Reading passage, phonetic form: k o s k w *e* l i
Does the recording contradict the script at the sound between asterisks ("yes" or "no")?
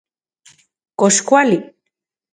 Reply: yes